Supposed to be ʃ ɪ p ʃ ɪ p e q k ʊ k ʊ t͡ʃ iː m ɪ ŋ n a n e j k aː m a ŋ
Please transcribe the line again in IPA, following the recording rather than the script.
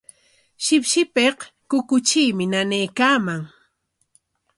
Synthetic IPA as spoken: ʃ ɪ p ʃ ɪ p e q k ʊ k ʊ t͡ʃ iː m ɪ n a n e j k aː m a ŋ